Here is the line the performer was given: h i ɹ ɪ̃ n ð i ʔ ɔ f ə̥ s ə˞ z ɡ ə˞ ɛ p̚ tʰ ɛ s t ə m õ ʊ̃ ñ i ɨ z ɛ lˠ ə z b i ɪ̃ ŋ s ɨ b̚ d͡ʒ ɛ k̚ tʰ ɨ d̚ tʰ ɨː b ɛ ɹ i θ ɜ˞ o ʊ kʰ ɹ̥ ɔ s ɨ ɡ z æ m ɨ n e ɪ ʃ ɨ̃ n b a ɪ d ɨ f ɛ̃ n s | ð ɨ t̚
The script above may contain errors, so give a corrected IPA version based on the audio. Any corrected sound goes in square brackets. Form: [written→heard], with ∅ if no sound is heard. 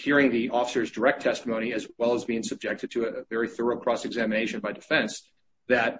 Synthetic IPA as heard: h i ɹ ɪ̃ [n→ŋ] ð i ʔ ɔ f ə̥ s ə˞ z [ɡ→d] ə˞ ɛ [p̚→k̚] tʰ ɛ s t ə m õ ʊ̃ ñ i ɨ z ɛ lˠ ə z b i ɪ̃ ŋ s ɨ b̚ d͡ʒ ɛ k̚ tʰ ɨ d̚ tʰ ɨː [b→v] ɛ ɹ i θ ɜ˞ o ʊ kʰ ɹ̥ ɔ s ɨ ɡ z æ m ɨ n e ɪ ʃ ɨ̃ n b a ɪ d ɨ f ɛ̃ n s | ð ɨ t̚

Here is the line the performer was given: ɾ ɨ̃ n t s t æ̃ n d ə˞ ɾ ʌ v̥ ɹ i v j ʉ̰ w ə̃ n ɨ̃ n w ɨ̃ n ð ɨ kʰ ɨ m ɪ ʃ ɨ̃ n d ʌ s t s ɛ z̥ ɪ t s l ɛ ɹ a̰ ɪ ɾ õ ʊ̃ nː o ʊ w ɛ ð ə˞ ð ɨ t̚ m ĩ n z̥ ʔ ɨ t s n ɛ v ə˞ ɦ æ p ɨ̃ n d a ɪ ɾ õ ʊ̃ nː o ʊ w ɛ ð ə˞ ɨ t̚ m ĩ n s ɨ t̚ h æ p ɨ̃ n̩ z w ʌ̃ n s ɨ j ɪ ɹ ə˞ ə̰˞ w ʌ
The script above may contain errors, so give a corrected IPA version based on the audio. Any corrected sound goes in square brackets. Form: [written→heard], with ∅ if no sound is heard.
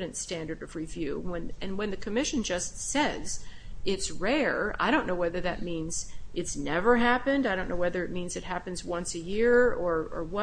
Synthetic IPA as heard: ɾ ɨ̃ n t s t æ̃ n d ə˞ ɾ ʌ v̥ ɹ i v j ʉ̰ w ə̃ n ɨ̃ n w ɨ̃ n ð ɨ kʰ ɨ m ɪ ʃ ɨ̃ n [d→d͡ʒ] ʌ s t s ɛ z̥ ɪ t s [l→ɹ] ɛ ɹ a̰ ɪ ɾ õ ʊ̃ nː o ʊ w ɛ ð ə˞ ð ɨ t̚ m ĩ n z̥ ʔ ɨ t s n ɛ v ə˞ ɦ æ p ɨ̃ n d a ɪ ɾ õ ʊ̃ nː o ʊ w ɛ ð ə˞ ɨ t̚ m ĩ n [s→z] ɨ t̚ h æ p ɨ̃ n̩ z w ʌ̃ n s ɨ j ɪ ɹ ə˞ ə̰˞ w ʌ

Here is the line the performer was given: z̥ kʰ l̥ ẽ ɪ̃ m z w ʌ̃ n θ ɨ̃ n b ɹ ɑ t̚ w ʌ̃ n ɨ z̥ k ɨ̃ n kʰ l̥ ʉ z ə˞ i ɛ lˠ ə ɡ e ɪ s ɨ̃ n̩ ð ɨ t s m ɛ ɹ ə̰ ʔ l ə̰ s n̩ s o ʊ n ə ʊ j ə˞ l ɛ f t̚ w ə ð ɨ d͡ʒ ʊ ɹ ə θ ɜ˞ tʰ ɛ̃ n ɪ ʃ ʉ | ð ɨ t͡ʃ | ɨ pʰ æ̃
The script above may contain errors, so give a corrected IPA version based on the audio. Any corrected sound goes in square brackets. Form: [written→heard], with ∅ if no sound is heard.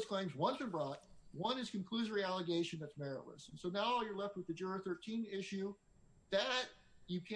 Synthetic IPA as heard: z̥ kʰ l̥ ẽ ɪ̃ m z w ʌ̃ n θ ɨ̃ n b ɹ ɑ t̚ w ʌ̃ n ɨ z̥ k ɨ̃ n kʰ l̥ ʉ z ə˞ i [ɛ→æ] lˠ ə ɡ e ɪ [s→ʃ] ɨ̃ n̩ ð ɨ t s m ɛ ɹ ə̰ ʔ l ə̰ s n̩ s o ʊ n [ə→a] ʊ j ə˞ l ɛ f t̚ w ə ð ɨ d͡ʒ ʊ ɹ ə θ ɜ˞ tʰ [ɛ̃→ĩ] n ɪ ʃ ʉ | ð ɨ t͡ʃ | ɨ [pʰ→kʰ] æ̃

